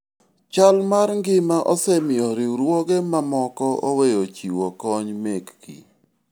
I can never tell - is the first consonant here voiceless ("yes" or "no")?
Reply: yes